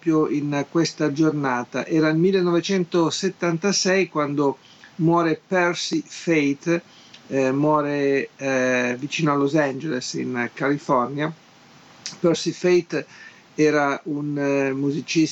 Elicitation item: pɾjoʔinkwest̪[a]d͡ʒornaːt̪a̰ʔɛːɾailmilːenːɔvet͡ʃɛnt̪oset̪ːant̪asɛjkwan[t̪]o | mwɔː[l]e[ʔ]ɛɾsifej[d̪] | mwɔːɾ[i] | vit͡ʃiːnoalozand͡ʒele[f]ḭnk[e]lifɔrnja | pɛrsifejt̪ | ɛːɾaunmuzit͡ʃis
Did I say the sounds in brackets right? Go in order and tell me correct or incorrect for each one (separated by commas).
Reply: correct, incorrect, incorrect, incorrect, incorrect, incorrect, incorrect, incorrect